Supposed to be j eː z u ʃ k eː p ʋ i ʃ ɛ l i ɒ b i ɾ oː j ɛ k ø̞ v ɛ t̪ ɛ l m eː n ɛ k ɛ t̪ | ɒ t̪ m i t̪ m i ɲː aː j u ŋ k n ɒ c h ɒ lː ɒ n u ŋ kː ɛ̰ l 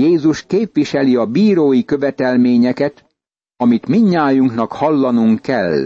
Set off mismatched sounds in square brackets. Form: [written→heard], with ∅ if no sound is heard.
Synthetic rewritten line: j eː z u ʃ k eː p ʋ i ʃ ɛ l i ɒ b [i→iː] ɾ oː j [ɛ→i] k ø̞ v ɛ t̪ ɛ l m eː [n→ɲ] ɛ k ɛ t̪ | ɒ [t̪→∅] m i t̪ m i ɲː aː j u ŋ k n ɒ [c→k] h ɒ lː ɒ n u ŋ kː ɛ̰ l